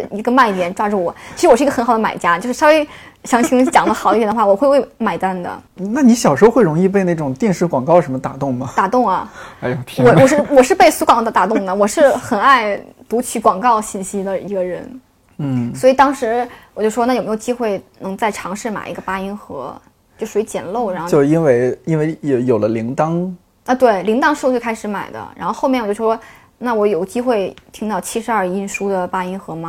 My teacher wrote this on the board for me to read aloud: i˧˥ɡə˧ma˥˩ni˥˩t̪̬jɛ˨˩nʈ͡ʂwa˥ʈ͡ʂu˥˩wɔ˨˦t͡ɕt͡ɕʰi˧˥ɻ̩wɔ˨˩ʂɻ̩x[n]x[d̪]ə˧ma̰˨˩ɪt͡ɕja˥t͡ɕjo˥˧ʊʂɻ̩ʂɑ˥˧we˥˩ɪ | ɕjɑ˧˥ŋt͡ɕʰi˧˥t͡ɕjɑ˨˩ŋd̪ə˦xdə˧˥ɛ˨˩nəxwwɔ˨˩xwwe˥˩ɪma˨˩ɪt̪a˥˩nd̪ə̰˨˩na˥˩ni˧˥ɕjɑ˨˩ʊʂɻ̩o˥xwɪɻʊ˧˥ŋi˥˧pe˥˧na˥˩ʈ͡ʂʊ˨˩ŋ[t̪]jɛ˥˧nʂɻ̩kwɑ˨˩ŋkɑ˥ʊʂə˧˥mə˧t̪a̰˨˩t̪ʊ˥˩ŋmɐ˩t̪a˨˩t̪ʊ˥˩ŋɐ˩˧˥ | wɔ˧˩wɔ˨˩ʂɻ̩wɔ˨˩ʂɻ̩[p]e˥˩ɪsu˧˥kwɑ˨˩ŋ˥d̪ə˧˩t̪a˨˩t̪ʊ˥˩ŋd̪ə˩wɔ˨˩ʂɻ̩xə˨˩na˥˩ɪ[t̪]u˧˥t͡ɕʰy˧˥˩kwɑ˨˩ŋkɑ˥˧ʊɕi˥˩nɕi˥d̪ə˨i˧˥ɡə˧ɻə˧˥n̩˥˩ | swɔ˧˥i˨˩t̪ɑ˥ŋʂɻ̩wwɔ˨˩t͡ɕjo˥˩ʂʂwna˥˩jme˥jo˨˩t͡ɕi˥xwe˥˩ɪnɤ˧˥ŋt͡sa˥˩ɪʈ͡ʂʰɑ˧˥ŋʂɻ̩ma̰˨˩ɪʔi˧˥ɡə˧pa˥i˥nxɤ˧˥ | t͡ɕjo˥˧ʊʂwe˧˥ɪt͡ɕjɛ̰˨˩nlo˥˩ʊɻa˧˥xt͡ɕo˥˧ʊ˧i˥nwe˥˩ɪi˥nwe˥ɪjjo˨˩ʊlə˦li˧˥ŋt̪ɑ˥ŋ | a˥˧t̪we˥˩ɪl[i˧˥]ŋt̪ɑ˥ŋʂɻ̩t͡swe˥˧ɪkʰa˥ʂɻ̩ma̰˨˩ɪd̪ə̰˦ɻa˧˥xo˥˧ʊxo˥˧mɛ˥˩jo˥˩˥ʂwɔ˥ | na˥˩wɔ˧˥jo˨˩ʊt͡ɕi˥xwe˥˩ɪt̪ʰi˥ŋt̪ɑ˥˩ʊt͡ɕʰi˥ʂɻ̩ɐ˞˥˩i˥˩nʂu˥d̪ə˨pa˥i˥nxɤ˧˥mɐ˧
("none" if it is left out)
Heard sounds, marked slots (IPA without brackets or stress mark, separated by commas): n, d̪, t̪, p, t̪, i˧˥